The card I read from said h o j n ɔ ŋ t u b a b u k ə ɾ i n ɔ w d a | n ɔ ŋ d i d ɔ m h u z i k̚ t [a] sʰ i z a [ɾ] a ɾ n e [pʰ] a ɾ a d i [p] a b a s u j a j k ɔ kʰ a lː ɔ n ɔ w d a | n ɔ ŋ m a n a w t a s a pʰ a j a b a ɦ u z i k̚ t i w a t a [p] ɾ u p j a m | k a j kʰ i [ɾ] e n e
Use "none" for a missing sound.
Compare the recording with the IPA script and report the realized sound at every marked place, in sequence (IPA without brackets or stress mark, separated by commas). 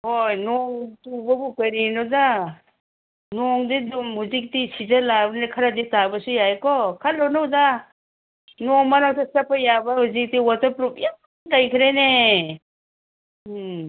i, l, kʰ, t, p, ɾ